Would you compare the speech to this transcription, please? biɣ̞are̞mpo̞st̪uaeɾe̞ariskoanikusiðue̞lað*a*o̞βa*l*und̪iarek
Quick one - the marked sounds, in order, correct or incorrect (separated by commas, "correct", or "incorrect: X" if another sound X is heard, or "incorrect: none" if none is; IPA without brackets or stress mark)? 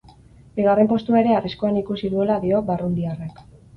incorrect: i, incorrect: r